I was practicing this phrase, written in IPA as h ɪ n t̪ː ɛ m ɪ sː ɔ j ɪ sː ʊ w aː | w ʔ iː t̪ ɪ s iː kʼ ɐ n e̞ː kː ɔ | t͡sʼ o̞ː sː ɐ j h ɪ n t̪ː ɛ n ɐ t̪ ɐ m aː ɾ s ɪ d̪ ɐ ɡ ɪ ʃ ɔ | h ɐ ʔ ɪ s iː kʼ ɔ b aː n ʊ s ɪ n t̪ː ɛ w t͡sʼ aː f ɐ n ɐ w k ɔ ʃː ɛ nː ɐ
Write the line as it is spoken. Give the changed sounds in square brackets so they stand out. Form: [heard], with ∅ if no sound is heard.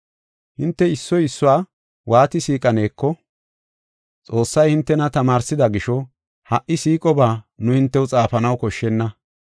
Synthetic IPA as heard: h ɪ n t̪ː ɛ [∅] ɪ sː ɔ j ɪ sː ʊ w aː | w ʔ [aː] t̪ ɪ s iː kʼ ɐ n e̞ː kː ɔ | t͡sʼ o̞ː sː ɐ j h ɪ n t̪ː ɛ n ɐ t̪ ɐ m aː ɾ s ɪ d̪ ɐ ɡ ɪ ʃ ɔ | h ɐ ʔ ɪ s iː kʼ ɔ b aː n ʊ [h] ɪ n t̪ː ɛ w t͡sʼ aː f ɐ n ɐ w k ɔ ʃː ɛ nː ɐ

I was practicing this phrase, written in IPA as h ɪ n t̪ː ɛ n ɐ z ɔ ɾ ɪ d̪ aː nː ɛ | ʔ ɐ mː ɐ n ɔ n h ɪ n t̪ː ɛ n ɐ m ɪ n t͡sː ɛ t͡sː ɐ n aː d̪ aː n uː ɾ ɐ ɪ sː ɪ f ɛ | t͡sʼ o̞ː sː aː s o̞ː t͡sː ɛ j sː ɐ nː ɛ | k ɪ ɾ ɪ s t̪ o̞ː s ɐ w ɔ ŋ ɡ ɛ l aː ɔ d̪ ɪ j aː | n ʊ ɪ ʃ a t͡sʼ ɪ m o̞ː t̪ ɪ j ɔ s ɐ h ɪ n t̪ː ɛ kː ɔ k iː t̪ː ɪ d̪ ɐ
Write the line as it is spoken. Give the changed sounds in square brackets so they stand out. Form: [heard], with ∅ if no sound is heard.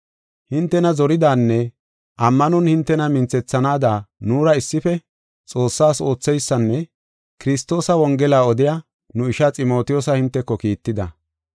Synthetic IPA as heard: h ɪ n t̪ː ɛ n ɐ z ɔ ɾ ɪ d̪ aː nː ɛ | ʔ ɐ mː ɐ n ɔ n h ɪ n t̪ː ɛ n ɐ m ɪ n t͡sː ɛ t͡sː ɐ n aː d̪ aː n uː ɾ ɐ ɪ sː ɪ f ɛ | t͡sʼ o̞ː sː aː s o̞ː t͡sː ɛ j sː ɐ nː ɛ | k ɪ ɾ ɪ s t̪ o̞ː s ɐ w ɔ ŋ ɡ ɛ l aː ɔ d̪ ɪ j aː | n ʊ ɪ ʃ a t͡sʼ ɪ m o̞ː t̪ ɪ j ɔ s ɐ h ɪ n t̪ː ɛ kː ɔ k iː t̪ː ɪ d̪ ɐ

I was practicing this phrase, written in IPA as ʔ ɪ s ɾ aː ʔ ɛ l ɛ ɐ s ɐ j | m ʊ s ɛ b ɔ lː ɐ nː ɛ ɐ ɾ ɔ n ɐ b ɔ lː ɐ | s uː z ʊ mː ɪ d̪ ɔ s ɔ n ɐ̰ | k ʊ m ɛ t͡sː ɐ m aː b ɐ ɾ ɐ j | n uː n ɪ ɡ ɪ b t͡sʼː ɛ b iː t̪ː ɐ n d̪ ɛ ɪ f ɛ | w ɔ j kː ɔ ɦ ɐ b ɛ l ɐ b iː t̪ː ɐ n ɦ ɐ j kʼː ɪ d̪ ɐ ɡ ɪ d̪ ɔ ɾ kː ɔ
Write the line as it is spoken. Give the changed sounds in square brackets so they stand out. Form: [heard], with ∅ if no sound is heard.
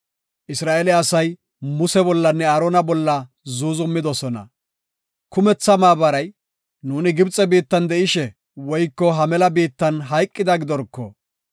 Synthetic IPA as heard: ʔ ɪ s ɾ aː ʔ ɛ l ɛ ɐ s ɐ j | m ʊ s ɛ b ɔ lː ɐ nː ɛ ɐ ɾ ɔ n ɐ b ɔ lː ɐ | [z] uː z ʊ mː ɪ d̪ ɔ s ɔ n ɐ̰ | k ʊ m ɛ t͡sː ɐ m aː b ɐ ɾ ɐ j | n uː n ɪ ɡ ɪ b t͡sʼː ɛ b iː t̪ː ɐ n d̪ ɛ ɪ [ʃ] ɛ | w ɔ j kː ɔ ɦ ɐ [m] ɛ l ɐ b iː t̪ː ɐ n ɦ ɐ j kʼː ɪ d̪ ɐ ɡ ɪ d̪ ɔ ɾ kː ɔ

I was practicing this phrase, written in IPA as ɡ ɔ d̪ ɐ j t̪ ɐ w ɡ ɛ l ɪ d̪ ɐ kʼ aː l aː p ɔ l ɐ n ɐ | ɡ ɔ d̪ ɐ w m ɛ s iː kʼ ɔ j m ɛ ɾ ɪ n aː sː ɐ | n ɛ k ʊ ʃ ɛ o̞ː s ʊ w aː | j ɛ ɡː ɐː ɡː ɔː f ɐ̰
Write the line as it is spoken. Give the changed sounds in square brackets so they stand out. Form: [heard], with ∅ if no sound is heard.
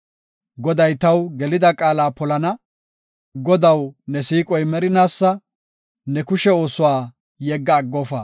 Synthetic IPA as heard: ɡ ɔ d̪ ɐ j t̪ ɐ w ɡ ɛ l ɪ d̪ ɐ kʼ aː l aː p ɔ l ɐ n ɐ | ɡ ɔ d̪ ɐ w [n] ɛ s iː kʼ ɔ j m ɛ ɾ ɪ n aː sː ɐ | n ɛ k ʊ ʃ ɛ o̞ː s ʊ w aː | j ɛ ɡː ɐː ɡː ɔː f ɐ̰

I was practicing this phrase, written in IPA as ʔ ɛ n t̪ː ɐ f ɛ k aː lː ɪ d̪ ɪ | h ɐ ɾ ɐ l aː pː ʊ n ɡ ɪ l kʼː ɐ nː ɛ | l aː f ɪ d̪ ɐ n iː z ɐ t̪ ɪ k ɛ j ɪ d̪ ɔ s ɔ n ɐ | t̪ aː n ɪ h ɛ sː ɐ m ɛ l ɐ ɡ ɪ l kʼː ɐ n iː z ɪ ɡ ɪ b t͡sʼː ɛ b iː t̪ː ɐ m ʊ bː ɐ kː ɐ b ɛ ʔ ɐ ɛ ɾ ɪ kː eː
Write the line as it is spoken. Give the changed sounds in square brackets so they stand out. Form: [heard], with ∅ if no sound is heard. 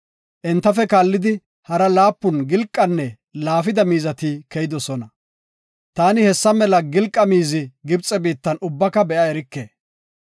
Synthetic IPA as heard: ʔ ɛ n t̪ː ɐ f ɛ k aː lː ɪ d̪ ɪ | h ɐ ɾ ɐ l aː pː ʊ n ɡ ɪ l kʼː ɐ nː ɛ | l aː f ɪ d̪ ɐ [m] iː z ɐ t̪ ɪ k ɛ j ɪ d̪ ɔ s ɔ n ɐ | t̪ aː n ɪ h ɛ sː ɐ m ɛ l ɐ ɡ ɪ l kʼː ɐ [m] iː z ɪ ɡ ɪ b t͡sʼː ɛ b iː t̪ː ɐ [n] ʊ bː ɐ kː ɐ b ɛ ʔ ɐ ɛ ɾ ɪ kː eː

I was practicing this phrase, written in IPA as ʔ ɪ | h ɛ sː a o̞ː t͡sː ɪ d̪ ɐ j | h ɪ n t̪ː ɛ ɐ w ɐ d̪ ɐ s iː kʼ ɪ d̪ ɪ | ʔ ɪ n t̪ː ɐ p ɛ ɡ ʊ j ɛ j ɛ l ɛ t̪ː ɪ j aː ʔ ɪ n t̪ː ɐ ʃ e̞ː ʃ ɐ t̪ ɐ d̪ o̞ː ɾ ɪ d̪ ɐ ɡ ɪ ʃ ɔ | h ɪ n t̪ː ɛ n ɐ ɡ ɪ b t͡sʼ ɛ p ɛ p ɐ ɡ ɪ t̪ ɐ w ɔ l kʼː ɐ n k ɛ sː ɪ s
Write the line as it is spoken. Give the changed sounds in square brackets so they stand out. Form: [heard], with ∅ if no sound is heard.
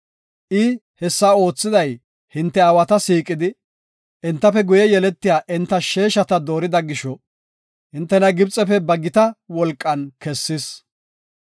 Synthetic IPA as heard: ʔ ɪ | h ɛ sː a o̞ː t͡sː ɪ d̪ ɐ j | h ɪ n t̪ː ɛ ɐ w ɐ [t̪] ɐ s iː kʼ ɪ d̪ ɪ | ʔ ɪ n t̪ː ɐ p ɛ ɡ ʊ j ɛ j ɛ l ɛ t̪ː ɪ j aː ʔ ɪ n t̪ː ɐ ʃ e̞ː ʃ ɐ t̪ ɐ d̪ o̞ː ɾ ɪ d̪ ɐ ɡ ɪ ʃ ɔ | h ɪ n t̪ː ɛ n ɐ ɡ ɪ b t͡sʼ ɛ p ɛ [b] ɐ ɡ ɪ t̪ ɐ w ɔ l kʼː ɐ n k ɛ sː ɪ s

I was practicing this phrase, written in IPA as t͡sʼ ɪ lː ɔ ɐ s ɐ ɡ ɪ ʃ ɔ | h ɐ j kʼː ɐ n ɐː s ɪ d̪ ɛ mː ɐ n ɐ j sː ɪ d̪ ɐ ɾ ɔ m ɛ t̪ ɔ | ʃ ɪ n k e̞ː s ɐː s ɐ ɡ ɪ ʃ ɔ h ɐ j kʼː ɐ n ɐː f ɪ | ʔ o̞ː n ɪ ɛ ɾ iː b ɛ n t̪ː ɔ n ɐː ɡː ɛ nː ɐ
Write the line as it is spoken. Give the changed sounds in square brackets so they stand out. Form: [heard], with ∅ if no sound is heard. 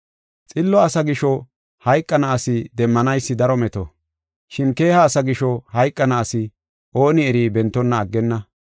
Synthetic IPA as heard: t͡sʼ ɪ lː ɔ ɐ s ɐ ɡ ɪ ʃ ɔ | h ɐ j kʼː ɐ n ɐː s ɪ d̪ ɛ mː ɐ n ɐ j sː ɪ d̪ ɐ ɾ ɔ m ɛ t̪ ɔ | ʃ ɪ n k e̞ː [h] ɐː s ɐ ɡ ɪ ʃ ɔ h ɐ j kʼː ɐ n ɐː [s] ɪ | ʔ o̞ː n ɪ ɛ ɾ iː b ɛ n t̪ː ɔ [nː] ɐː ɡː ɛ nː ɐ

